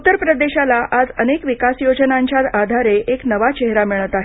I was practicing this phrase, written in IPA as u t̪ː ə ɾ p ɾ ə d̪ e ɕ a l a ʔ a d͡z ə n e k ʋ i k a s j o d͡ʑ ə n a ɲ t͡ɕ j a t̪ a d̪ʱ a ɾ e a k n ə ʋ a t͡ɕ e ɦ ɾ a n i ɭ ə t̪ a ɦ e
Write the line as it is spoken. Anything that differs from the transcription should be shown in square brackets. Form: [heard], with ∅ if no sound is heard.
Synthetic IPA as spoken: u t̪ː ə ɾ p ɾ ə d̪ e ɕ a l a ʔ a d͡z ə n e k ʋ i k a s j o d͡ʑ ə n a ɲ t͡ɕ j a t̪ a d̪ʱ a ɾ e [e] k n ə ʋ a t͡ɕ e ɦ ɾ a [m] i ɭ ə t̪ a ɦ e